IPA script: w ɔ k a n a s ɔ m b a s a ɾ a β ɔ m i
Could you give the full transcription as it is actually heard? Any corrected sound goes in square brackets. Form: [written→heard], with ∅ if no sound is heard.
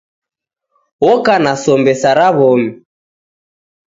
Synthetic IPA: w ɔ k a n a s ɔ m b [a→ɛ] s a ɾ a β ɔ m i